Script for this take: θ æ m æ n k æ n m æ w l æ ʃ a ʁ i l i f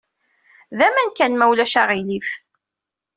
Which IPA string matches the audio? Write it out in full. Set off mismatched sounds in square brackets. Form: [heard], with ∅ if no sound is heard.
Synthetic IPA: [ð] æ m æ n k æ n m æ w l æ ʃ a ʁ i l i f